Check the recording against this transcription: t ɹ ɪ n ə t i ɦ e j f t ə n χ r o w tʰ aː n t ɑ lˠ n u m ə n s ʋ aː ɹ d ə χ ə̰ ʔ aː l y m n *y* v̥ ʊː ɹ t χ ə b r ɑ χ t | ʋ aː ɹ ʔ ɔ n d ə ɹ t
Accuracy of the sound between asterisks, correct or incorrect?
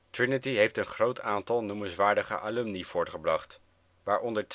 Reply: incorrect: i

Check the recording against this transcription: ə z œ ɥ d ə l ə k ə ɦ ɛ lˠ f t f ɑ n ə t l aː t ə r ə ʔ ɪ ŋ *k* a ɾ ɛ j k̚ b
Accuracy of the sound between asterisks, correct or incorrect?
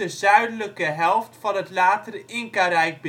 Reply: correct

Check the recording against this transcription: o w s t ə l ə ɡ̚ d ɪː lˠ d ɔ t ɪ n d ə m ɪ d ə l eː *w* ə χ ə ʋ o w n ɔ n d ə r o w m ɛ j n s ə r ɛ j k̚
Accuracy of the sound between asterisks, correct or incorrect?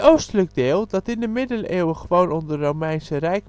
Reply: correct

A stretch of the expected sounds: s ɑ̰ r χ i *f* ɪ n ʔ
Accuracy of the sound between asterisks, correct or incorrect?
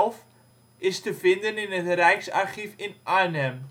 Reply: correct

